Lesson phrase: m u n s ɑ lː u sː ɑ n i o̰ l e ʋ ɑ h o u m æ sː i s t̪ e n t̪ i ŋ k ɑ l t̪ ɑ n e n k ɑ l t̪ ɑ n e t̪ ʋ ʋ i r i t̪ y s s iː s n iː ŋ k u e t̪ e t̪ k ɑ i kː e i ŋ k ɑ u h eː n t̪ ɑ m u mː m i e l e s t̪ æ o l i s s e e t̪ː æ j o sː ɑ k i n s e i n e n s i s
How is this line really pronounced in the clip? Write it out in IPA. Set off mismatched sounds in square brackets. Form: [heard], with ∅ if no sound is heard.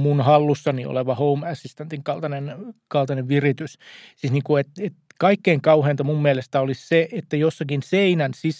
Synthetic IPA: m u n [h] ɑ lː u sː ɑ n i o̰ l e ʋ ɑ h o u m æ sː i s t̪ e n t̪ i ŋ k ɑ l t̪ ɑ n e n k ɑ l t̪ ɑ n e [∅] ʋ ʋ i r i t̪ y s s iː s n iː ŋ k u e t̪ e t̪ k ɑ i kː e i ŋ k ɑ u h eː n t̪ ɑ m u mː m i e l e s t̪ æ o l i s s e e t̪ː æ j o sː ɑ k i n s e i n [æ] n s i s